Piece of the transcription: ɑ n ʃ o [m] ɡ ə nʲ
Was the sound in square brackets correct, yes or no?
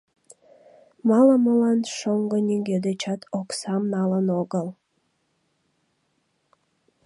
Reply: no